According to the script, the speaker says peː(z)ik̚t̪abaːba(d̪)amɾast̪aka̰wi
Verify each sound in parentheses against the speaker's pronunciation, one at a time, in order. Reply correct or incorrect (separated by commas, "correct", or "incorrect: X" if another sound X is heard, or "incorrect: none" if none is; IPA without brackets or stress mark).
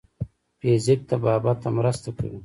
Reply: correct, incorrect: t̪